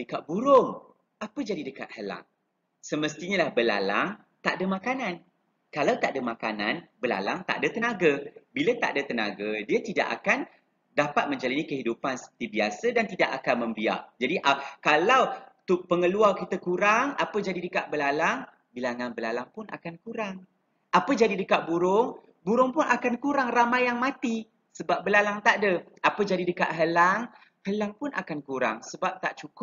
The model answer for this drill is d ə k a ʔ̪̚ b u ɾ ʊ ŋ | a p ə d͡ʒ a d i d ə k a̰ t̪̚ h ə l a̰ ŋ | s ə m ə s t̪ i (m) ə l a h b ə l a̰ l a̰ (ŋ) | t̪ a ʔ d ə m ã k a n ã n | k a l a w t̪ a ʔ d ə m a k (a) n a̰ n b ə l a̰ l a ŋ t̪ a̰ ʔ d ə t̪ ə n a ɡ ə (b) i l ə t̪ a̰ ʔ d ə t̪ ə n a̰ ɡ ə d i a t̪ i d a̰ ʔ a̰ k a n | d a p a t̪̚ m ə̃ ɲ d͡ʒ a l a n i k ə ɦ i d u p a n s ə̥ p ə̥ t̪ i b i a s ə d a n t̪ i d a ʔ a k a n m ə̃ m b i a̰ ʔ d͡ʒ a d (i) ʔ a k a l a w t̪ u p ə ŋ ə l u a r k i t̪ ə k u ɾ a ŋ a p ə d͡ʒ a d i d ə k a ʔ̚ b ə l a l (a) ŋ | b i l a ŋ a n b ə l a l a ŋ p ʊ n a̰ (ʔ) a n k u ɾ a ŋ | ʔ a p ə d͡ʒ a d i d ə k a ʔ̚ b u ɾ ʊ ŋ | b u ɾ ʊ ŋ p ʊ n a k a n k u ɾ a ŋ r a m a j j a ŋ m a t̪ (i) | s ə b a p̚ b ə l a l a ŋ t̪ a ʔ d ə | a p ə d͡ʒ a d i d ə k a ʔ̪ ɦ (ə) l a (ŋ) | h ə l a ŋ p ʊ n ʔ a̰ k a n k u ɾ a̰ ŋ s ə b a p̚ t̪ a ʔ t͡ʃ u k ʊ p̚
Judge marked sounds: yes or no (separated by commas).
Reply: no, yes, yes, yes, yes, yes, no, yes, yes, yes